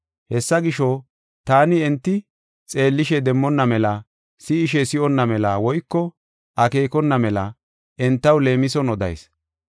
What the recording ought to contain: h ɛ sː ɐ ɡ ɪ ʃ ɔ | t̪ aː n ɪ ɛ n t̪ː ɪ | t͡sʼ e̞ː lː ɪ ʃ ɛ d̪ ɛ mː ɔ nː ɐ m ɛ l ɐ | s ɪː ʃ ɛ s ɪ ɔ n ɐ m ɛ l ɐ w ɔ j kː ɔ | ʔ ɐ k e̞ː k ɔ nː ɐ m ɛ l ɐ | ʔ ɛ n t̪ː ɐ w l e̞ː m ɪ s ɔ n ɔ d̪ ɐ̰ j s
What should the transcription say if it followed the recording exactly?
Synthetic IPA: h ɛ sː ɐ ɡ ɪ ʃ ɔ | t̪ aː n ɪ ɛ n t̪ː ɪ | t͡sʼ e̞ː lː ɪ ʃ ɛ d̪ ɛ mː ɔ nː ɐ m ɛ l ɐ | s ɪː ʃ ɛ s ɪ ɔ nː ɐ m ɛ l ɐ w ɔ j kː ɔ | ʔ ɐ k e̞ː k ɔ nː ɐ m ɛ l ɐ | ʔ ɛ n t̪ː ɐ w l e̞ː m ɪ s ɔ n ɔ d̪ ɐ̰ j s